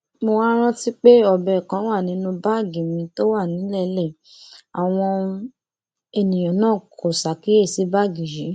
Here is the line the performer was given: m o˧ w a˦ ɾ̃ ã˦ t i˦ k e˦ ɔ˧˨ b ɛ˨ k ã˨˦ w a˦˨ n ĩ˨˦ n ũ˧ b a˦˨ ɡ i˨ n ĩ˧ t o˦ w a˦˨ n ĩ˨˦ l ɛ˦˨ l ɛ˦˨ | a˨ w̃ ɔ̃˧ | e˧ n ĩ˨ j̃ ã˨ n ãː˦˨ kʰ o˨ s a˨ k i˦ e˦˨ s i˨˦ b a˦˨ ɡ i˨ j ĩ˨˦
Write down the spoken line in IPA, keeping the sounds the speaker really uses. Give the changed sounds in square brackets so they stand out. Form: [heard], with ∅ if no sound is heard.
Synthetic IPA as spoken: m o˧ w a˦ ɾ̃ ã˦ t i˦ [k͡p] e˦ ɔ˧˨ b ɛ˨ k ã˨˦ w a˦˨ n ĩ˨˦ n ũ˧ b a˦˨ ɡ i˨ [m] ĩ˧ t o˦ w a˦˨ n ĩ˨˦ l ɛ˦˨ l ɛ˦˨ | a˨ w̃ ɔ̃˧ | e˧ n ĩ˨ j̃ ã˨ n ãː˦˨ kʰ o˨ s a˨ k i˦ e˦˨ s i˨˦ b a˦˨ ɡ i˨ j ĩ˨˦

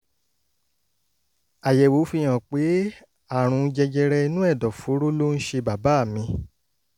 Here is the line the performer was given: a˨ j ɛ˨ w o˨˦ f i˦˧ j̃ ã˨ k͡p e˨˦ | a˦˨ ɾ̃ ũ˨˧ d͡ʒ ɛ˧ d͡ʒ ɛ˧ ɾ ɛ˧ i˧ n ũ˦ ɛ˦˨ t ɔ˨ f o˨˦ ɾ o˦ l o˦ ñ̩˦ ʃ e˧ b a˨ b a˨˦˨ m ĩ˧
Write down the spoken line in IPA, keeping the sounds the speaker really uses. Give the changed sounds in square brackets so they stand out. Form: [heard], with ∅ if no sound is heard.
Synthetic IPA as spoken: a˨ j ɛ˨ w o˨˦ f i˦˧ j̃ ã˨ k͡p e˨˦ | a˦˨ ɾ̃ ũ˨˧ d͡ʒ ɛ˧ d͡ʒ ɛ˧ ɾ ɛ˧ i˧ n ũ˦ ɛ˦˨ [d] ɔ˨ f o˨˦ ɾ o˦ l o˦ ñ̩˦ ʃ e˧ b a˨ b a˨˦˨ m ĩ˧

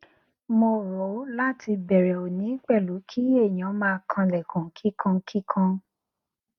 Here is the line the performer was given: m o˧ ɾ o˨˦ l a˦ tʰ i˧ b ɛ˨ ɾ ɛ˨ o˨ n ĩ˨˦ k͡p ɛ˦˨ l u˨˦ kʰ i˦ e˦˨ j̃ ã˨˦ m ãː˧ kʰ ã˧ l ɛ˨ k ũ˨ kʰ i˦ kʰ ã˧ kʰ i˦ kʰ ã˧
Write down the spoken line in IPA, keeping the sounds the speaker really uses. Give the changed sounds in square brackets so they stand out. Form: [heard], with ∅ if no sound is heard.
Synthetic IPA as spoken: m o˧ ɾ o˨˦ l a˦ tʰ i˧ b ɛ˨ ɾ ɛ˨ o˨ n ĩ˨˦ k͡p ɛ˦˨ l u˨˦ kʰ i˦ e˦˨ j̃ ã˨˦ m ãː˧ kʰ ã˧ l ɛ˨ k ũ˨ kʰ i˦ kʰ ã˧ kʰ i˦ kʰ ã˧

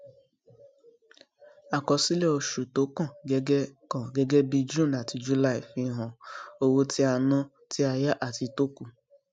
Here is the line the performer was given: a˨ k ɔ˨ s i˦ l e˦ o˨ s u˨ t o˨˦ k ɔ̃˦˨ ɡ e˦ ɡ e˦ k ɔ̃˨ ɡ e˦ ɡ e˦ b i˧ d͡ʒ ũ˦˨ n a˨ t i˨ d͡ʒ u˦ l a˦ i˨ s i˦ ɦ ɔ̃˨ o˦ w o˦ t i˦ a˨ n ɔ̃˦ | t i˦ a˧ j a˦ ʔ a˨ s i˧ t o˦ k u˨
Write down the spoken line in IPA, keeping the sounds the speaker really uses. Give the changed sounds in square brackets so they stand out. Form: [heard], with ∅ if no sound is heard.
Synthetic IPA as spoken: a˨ k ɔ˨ s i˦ l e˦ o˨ [ʃ] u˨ t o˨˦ k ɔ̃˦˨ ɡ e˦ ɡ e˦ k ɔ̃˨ ɡ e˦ ɡ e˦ b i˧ d͡ʒ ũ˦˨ n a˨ t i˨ d͡ʒ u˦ l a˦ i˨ [f] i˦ ɦ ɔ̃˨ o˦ w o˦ t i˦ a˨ n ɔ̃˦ | t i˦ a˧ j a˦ ʔ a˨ [t] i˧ t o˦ k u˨

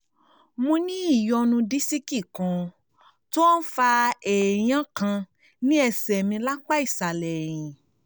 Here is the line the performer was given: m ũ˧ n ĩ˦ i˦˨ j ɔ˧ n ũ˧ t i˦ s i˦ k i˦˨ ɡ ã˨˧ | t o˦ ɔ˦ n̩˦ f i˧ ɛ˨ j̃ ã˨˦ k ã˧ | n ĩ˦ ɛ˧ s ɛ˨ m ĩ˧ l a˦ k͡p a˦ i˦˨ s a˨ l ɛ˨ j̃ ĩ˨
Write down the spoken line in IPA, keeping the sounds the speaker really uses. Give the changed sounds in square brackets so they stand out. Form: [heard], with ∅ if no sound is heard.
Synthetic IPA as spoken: m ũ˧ n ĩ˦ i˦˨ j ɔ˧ n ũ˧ [d] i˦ s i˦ k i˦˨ [k] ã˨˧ | t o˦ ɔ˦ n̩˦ f [a˧] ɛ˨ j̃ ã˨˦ k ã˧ | n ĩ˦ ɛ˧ s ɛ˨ m ĩ˧ l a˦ k͡p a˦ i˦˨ s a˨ l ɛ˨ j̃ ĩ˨

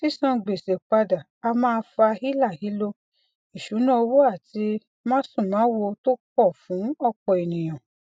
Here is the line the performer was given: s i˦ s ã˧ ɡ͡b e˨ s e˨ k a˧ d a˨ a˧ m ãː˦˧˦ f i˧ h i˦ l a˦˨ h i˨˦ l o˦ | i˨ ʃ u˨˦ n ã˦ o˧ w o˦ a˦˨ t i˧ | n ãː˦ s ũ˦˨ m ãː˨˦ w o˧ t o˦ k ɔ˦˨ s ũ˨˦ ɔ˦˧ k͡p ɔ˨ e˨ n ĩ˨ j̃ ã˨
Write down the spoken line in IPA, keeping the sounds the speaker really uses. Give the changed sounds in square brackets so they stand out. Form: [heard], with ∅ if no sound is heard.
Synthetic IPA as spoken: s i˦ s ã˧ ɡ͡b e˨ s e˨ [k͡p] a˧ d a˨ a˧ m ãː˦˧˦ f [a˧] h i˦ l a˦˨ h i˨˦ l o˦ | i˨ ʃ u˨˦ n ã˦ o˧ w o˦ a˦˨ t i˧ | [m] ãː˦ s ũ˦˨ m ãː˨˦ w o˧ t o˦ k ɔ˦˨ [f] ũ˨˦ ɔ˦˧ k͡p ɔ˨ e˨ n ĩ˨ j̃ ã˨

